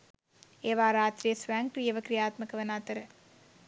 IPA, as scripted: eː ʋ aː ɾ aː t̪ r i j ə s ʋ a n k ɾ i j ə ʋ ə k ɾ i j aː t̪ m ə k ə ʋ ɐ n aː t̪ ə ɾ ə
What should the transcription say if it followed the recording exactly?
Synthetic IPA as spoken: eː ʋ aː ɾ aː t̪ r i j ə s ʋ a ŋ k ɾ i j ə ʋ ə k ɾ i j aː t̪ m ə k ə ʋ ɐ n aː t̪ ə ɾ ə